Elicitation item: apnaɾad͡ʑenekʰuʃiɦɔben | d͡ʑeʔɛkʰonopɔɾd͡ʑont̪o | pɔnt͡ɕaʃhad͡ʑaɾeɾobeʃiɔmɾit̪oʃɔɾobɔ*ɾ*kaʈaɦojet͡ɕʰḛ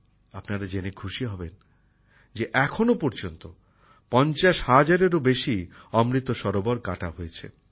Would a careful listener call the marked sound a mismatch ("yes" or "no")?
no